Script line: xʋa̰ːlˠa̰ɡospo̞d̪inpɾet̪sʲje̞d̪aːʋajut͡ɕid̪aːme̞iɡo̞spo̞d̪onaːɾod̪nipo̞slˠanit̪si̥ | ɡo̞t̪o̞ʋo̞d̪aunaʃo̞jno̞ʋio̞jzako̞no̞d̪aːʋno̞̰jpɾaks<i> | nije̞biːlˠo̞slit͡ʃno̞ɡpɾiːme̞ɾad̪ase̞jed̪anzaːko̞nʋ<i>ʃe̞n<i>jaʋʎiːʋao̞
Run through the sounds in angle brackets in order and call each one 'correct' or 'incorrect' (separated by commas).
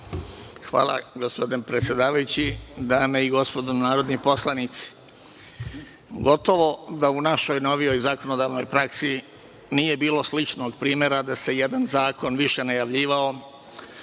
correct, correct, incorrect